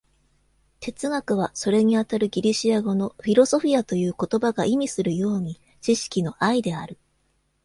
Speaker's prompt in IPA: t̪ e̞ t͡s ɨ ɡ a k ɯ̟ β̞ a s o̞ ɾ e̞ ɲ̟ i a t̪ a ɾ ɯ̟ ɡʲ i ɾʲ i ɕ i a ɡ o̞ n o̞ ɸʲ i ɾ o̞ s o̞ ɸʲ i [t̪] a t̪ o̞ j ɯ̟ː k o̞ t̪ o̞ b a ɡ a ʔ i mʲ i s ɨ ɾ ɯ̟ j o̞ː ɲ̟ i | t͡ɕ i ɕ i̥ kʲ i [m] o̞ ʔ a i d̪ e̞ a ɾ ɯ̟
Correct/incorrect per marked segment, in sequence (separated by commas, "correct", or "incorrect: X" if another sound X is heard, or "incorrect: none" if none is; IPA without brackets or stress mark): incorrect: none, incorrect: n